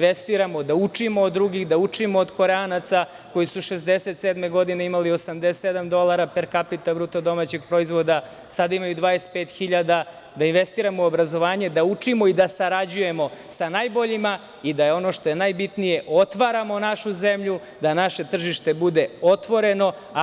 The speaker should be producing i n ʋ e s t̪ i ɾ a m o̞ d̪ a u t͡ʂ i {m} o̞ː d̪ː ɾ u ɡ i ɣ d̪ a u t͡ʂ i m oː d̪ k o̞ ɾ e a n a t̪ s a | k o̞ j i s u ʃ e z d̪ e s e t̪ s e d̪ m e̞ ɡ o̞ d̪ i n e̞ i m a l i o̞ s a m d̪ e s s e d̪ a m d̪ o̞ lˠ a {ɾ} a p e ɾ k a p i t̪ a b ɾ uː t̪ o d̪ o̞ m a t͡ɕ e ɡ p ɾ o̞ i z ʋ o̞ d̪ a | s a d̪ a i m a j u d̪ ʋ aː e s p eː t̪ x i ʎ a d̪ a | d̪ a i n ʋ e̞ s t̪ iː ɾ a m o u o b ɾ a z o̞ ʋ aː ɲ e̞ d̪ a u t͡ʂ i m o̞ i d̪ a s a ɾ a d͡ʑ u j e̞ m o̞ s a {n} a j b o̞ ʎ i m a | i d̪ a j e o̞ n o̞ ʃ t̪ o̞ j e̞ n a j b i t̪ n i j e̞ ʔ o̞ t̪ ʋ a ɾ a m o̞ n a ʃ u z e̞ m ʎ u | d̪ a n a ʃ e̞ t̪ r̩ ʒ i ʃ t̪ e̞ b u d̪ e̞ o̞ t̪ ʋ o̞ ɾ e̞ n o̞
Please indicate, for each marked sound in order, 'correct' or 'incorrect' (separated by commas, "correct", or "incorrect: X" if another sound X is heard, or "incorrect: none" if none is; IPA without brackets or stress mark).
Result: correct, correct, correct